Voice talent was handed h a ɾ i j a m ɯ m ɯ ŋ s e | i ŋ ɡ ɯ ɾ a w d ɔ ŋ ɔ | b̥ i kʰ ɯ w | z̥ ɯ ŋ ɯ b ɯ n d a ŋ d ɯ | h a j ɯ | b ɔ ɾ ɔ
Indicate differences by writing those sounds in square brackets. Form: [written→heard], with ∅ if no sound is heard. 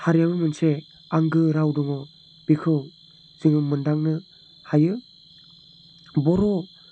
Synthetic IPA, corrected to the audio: h a ɾ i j a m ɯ m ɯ [ŋ→n] s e | [i→a] ŋ ɡ ɯ ɾ a w d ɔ ŋ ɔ | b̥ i kʰ ɯ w | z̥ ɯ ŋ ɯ [b→m] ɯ n d a ŋ [d→n] ɯ | h a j ɯ | b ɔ ɾ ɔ